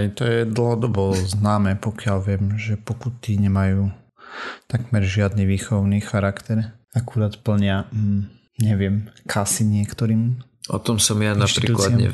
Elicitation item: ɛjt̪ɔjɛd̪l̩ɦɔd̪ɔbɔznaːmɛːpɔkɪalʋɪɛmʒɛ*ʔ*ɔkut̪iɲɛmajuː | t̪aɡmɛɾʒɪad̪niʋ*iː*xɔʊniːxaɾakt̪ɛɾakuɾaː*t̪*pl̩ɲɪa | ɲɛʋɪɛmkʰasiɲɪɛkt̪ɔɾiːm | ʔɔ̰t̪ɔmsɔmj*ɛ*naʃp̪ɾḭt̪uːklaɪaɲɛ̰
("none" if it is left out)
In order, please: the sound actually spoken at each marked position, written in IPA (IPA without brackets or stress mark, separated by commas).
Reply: p, iː, t̪, a